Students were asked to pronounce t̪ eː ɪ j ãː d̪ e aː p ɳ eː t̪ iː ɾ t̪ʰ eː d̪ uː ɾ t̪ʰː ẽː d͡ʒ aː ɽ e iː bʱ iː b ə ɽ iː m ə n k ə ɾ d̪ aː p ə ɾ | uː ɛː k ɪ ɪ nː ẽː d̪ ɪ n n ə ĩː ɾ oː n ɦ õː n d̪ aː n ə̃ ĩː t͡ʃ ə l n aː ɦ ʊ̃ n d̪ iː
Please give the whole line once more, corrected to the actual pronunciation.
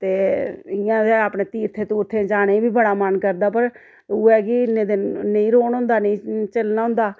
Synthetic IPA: t̪ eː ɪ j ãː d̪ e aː p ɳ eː t̪ iː ɾ t̪ʰ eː t̪ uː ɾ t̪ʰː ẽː d͡ʒ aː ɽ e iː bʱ iː b ə ɽ aː m ə n k ə ɾ d̪ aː p ə ɾ | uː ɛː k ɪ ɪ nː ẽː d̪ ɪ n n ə ĩː ɾ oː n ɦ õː n d̪ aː n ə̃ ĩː t͡ʃ ə l n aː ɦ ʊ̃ n d̪ aː